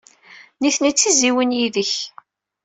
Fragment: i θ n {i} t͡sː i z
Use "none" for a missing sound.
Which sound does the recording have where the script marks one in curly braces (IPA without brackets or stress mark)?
i